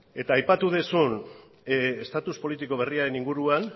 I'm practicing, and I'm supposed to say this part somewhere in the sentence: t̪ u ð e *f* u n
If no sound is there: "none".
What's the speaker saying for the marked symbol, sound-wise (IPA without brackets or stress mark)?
s